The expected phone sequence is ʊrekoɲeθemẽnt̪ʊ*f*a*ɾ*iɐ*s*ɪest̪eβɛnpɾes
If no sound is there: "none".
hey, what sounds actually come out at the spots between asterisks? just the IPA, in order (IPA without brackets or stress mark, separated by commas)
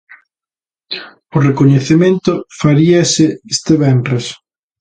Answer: f, ɾ, s